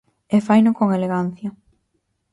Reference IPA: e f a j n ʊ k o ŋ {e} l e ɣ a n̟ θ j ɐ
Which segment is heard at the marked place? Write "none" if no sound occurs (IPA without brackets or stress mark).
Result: e